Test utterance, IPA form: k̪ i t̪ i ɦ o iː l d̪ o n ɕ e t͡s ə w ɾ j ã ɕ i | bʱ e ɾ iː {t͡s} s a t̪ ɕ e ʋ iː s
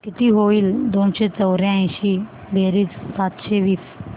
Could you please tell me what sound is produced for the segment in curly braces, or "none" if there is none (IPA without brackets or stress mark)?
t͡s